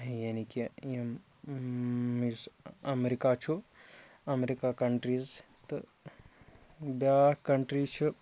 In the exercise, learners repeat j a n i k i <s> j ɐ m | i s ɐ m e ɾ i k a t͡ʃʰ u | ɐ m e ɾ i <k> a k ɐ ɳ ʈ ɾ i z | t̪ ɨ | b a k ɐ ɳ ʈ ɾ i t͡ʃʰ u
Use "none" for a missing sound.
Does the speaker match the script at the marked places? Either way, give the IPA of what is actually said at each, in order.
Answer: none, k

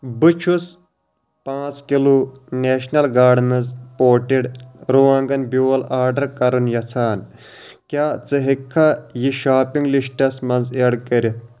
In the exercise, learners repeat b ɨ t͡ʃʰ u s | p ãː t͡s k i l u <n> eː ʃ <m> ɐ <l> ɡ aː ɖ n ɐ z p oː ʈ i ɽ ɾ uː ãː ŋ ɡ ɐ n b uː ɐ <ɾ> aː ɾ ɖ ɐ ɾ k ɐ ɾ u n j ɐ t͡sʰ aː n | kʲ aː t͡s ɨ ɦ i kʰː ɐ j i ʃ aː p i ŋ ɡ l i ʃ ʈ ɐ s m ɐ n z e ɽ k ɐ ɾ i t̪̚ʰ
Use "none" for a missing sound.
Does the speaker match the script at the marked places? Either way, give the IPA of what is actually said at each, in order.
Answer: n, n, l, l

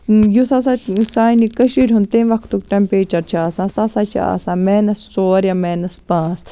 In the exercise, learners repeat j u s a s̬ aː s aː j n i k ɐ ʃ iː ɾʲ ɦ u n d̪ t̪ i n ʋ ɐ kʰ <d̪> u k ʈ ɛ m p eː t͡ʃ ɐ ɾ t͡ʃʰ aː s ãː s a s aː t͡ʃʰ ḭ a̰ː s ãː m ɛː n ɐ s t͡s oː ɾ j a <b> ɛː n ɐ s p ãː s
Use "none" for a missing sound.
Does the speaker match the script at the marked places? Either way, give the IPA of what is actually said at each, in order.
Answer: t̪, m

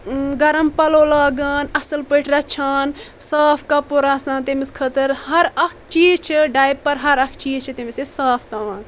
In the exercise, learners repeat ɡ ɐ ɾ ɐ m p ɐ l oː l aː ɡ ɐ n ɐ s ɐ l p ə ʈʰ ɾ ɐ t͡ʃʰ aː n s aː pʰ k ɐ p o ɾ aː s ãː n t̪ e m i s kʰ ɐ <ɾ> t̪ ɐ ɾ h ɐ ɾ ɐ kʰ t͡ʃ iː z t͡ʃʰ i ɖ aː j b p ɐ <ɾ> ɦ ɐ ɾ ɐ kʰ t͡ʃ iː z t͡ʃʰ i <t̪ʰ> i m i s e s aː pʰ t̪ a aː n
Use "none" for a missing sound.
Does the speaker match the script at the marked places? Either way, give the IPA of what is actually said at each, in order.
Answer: none, ɾ, t̪

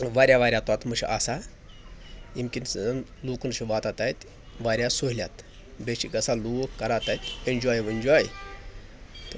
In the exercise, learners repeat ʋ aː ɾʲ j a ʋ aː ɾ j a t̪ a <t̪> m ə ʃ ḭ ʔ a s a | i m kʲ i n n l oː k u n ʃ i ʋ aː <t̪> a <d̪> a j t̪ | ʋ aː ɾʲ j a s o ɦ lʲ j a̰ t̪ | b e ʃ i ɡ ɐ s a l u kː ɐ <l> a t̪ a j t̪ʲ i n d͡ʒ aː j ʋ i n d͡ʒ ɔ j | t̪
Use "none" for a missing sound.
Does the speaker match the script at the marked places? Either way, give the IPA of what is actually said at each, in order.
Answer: t̪, t̪, t̪, ɾ

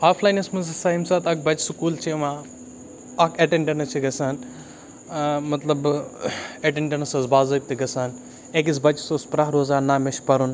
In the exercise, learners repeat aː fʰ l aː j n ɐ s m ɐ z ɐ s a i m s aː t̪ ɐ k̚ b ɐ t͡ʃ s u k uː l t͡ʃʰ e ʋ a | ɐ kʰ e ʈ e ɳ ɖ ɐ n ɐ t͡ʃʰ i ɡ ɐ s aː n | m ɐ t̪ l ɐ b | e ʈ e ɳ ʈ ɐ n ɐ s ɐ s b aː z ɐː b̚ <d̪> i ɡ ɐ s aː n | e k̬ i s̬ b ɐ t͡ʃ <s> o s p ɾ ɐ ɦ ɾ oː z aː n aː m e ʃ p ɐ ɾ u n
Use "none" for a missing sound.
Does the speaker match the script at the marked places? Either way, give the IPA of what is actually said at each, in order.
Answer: t̪, s

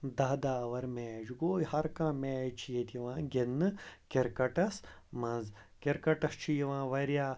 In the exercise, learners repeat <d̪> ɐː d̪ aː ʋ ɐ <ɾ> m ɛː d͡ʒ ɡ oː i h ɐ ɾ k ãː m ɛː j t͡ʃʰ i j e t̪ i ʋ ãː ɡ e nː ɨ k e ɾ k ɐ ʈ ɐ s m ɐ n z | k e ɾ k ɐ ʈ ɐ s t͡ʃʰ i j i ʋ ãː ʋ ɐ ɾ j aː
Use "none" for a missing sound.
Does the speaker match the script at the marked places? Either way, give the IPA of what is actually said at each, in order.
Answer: d̪, ɾ

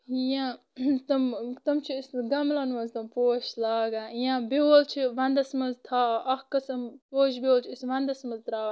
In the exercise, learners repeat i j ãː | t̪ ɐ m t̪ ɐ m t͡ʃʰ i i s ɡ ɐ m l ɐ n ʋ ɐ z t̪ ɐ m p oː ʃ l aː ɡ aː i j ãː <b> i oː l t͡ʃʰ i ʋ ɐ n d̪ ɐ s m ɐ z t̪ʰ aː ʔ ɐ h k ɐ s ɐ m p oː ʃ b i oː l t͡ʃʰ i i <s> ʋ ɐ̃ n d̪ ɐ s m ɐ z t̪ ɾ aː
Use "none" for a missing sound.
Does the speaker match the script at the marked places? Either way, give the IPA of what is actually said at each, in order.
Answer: b, s

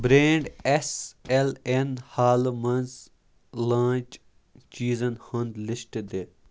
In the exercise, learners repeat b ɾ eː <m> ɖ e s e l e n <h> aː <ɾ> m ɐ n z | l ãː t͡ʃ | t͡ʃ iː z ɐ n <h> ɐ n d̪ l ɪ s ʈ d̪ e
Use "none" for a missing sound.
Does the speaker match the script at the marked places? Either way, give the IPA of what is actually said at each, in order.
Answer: ɳ, h, l, h

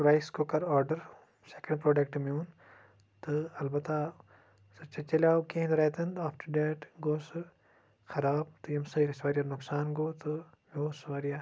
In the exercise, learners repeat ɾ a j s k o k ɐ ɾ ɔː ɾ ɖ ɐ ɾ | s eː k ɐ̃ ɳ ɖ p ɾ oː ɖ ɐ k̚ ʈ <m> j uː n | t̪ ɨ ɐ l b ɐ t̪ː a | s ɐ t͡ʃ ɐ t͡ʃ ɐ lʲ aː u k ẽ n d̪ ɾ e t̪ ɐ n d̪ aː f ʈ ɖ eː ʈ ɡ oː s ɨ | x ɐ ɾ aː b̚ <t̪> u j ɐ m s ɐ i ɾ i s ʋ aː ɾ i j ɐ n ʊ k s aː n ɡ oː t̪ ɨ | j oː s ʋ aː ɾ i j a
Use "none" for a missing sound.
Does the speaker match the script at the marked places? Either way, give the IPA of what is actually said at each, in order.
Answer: m, t̪

